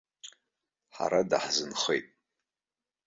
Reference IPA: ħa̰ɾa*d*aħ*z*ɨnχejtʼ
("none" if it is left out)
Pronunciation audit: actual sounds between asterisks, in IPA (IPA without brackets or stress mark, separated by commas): d, z